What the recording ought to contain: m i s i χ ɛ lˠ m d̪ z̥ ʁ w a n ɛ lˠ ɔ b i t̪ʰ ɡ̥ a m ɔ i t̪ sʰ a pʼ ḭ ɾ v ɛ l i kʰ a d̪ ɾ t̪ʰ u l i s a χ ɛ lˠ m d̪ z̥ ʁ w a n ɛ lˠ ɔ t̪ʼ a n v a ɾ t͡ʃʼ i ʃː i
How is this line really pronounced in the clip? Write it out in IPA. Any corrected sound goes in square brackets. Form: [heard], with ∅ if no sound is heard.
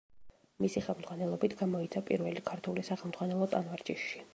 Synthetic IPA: m i s i χ ɛ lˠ m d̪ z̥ ʁ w a n ɛ lˠ ɔ b i t̪ʰ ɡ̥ a m ɔ i t̪ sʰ a pʼ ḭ ɾ v ɛ l i kʰ a [∅] ɾ t̪ʰ u l i s a χ ɛ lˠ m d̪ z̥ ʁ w a n ɛ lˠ ɔ t̪ʼ a n v a ɾ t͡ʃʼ i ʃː i